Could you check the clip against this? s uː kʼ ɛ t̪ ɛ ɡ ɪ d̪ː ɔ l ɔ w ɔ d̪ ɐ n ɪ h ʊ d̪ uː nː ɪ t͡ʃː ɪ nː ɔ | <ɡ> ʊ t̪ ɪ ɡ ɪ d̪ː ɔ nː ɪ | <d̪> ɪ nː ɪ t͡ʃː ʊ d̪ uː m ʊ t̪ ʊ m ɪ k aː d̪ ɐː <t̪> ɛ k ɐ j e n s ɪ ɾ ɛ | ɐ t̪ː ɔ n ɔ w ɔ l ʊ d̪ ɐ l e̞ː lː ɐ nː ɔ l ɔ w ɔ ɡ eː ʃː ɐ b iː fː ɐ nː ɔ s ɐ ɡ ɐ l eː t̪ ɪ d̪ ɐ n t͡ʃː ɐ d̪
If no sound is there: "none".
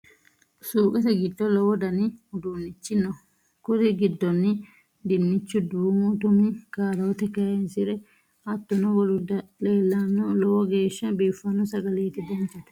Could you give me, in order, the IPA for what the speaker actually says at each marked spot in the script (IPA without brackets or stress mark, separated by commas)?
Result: k, d̪, t̪